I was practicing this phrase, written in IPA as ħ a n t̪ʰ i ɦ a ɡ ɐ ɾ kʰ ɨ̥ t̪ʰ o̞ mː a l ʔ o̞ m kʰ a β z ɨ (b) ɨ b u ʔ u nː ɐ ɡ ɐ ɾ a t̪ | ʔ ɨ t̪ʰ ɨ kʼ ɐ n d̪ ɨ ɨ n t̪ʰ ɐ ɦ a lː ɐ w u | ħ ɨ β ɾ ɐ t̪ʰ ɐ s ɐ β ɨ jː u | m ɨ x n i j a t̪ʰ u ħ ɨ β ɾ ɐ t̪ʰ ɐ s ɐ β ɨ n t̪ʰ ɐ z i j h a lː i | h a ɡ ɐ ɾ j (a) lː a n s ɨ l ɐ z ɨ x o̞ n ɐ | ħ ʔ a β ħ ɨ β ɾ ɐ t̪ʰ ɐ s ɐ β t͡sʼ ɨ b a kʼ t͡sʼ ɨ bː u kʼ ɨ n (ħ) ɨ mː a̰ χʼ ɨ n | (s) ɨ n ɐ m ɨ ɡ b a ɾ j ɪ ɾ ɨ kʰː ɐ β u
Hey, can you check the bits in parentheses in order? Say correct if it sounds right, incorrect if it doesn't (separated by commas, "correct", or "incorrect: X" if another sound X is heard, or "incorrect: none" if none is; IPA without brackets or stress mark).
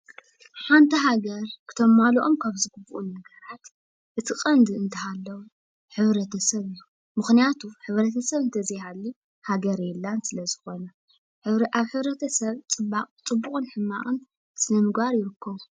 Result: incorrect: ɡ, incorrect: ɛ, correct, correct